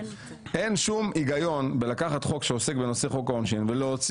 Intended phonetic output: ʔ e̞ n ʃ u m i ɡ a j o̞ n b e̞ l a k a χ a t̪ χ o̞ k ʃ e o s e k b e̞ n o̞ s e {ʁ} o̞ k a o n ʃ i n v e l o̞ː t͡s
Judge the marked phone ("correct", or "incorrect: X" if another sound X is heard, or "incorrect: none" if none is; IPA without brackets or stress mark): incorrect: χ